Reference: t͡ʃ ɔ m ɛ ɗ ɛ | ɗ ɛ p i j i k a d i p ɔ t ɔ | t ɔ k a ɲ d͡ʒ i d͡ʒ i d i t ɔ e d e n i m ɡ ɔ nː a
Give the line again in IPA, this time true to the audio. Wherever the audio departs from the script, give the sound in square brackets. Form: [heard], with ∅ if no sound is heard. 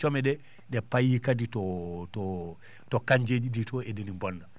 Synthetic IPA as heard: t͡ʃ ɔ m ɛ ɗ ɛ | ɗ ɛ p [a] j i k a d i [t] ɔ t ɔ | t ɔ k a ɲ d͡ʒ [e] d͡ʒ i d i t ɔ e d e n i m [b] ɔ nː a